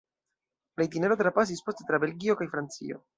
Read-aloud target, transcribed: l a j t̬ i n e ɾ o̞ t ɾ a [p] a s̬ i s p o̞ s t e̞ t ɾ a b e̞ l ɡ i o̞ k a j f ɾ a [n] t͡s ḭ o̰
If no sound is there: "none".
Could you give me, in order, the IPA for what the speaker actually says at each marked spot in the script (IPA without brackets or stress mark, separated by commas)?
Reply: p, n